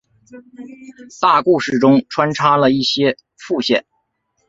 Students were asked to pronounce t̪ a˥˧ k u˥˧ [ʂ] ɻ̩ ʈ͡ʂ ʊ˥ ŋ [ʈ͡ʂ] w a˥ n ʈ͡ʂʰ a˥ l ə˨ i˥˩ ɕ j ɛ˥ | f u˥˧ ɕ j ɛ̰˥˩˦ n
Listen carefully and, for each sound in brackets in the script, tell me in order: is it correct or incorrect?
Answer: correct, incorrect

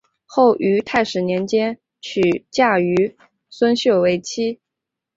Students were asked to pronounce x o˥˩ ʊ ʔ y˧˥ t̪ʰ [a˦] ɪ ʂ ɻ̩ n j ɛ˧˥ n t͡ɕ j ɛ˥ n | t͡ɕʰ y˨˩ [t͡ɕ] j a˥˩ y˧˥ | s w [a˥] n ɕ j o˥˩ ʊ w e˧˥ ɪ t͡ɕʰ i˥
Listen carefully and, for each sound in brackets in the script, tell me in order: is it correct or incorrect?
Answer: incorrect, correct, incorrect

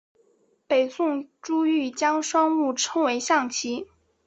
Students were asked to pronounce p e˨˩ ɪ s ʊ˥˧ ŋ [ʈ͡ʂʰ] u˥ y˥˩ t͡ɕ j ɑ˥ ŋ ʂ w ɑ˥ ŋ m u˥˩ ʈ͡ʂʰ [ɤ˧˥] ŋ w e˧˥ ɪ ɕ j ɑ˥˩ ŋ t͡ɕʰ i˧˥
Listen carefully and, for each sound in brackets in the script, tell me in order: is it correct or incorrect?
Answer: incorrect, incorrect

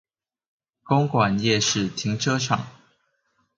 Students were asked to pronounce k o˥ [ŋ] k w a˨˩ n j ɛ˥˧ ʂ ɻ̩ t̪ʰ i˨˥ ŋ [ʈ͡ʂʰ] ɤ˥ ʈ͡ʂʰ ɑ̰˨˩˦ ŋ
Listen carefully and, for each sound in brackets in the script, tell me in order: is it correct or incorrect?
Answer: correct, correct

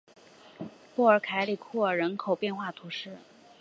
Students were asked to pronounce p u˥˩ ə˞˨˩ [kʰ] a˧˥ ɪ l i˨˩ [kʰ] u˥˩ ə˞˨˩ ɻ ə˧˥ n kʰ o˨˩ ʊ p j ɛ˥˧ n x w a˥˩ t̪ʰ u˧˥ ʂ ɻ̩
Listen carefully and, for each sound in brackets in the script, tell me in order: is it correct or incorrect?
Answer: correct, correct

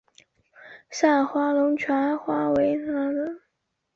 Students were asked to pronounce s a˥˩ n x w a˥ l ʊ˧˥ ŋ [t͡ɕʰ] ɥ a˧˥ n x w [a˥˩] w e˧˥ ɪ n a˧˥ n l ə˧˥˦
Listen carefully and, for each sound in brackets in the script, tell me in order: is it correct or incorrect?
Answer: correct, incorrect

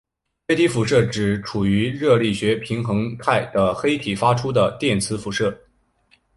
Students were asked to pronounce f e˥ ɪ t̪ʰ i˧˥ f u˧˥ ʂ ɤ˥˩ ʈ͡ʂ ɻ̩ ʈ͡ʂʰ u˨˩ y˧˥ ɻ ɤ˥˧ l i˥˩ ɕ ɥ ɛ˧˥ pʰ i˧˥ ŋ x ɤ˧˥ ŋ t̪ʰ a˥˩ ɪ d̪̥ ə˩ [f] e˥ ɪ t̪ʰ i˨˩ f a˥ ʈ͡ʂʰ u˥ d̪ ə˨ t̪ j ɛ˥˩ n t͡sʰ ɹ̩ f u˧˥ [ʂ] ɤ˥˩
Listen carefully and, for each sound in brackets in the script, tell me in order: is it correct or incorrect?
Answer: incorrect, correct

